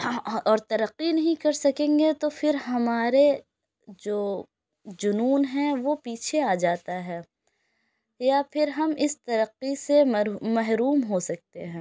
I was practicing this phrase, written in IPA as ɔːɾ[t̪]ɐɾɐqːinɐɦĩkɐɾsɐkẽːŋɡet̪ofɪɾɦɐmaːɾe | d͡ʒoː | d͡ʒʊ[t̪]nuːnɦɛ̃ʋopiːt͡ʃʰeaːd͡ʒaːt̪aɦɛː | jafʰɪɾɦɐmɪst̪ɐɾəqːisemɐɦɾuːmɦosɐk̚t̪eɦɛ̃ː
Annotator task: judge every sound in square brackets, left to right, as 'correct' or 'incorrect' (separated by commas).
correct, incorrect